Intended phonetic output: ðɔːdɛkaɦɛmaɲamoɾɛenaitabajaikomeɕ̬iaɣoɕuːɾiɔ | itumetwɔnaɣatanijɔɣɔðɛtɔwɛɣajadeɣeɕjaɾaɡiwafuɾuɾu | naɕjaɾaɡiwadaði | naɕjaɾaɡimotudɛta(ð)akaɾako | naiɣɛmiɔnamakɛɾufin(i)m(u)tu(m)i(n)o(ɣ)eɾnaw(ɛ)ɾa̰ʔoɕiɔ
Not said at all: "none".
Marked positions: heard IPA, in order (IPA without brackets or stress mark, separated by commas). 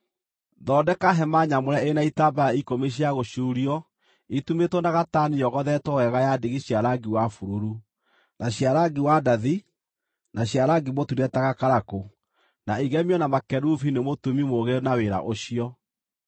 ɣ, e, o, m, m, ɣ, e